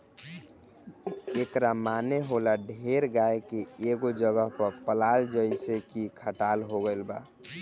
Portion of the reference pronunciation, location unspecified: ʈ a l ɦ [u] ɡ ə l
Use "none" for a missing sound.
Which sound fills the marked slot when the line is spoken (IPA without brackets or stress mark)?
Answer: o